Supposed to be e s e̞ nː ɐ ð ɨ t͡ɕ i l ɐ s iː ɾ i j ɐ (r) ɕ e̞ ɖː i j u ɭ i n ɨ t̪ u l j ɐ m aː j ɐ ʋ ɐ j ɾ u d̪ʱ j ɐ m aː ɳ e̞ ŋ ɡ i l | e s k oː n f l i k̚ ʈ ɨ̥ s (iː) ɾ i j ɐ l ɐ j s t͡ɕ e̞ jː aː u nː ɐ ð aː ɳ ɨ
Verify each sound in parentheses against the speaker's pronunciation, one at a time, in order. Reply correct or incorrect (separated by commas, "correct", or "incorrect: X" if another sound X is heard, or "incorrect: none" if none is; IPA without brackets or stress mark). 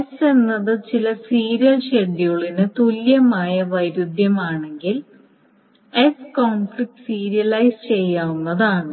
incorrect: l, correct